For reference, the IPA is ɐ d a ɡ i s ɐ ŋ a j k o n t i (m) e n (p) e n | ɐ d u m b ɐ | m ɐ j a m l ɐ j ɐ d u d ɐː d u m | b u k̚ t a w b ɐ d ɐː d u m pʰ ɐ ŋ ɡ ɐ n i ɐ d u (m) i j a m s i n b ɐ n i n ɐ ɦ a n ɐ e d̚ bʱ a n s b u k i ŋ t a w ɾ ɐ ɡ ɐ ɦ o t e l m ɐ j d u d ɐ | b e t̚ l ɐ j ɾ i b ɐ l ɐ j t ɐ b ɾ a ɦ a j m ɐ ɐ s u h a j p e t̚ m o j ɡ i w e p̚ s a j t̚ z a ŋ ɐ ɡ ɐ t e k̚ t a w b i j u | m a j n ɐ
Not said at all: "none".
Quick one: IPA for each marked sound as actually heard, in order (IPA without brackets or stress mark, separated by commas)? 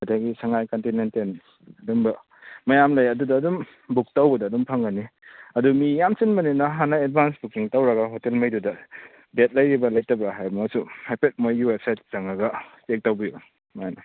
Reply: n, t, m